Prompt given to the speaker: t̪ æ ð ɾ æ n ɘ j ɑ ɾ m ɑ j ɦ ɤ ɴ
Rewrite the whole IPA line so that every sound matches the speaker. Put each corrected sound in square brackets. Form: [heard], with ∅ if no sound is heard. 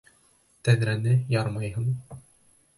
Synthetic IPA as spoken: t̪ æ ð ɾ æ n ɘ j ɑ ɾ m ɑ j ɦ ɤ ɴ

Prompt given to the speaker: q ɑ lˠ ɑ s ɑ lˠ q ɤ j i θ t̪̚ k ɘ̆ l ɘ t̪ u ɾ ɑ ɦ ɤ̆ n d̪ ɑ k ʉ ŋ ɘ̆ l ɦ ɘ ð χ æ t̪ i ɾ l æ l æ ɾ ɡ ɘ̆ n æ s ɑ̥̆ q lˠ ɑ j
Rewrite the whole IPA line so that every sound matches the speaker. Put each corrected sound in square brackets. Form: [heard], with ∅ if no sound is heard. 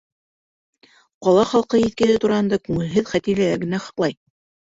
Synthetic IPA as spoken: q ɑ lˠ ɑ [χ] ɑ lˠ q ɤ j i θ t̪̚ k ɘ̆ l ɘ t̪ u ɾ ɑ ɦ ɤ̆ n d̪ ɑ k ʉ ŋ ɘ̆ l ɦ ɘ ð χ æ t̪ i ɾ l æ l æ ɾ ɡ ɘ̆ n æ [χ] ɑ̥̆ q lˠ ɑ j

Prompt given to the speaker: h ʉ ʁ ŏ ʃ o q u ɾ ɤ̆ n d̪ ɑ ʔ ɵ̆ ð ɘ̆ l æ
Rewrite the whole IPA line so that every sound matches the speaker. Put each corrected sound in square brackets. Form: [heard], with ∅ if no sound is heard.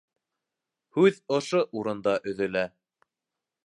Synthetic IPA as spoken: h ʉ [ð] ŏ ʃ o [ʔ] u ɾ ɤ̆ n d̪ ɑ ʔ ɵ̆ ð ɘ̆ l æ

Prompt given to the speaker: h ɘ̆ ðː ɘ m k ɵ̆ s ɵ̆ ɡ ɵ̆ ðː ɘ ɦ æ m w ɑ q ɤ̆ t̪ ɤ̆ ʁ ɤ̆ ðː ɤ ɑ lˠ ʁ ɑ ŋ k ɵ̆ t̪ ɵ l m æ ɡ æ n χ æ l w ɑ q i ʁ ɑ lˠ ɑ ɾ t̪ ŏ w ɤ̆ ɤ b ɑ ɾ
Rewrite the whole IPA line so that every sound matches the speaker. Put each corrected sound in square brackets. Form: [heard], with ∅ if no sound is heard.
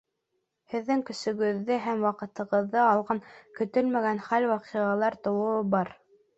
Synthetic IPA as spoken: h ɘ̆ ðː ɘ [ŋ] k ɵ̆ s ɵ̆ ɡ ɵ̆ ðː ɘ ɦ æ m w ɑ q ɤ̆ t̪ ɤ̆ ʁ ɤ̆ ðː ɤ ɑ lˠ ʁ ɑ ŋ k ɵ̆ t̪ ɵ l m æ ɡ æ n χ æ l w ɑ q i ʁ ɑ lˠ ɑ ɾ t̪ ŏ w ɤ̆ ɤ b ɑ ɾ

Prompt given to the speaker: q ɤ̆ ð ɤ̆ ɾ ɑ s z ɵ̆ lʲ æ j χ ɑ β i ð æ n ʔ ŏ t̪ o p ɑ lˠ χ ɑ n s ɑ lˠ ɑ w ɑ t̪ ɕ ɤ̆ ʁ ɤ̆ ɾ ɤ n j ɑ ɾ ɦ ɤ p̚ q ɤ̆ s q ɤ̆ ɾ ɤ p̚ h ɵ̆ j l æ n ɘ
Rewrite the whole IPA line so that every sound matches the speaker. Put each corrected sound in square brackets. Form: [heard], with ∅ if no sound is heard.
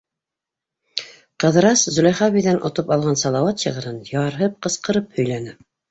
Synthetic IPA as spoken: q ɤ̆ ð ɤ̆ ɾ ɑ s z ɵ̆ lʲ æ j χ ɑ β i ð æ n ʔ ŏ t̪ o p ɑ lˠ [ʁ] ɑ n s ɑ lˠ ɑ w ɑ t̪ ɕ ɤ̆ ʁ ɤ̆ ɾ ɤ n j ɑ ɾ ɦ ɤ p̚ q ɤ̆ s q ɤ̆ ɾ ɤ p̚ h ɵ̆ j l æ n ɘ

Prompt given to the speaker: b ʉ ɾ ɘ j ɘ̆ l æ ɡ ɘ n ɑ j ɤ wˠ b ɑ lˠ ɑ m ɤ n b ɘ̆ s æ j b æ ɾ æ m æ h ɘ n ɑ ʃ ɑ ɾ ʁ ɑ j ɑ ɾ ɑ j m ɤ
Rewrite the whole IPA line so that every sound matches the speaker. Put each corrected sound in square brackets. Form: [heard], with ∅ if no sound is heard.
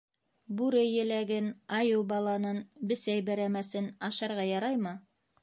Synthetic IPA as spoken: b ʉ ɾ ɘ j ɘ̆ l æ ɡ ɘ n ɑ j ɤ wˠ b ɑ lˠ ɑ [n] ɤ n b ɘ̆ s æ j b æ ɾ æ m æ [s] ɘ n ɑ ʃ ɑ ɾ ʁ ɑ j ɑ ɾ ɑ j m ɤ

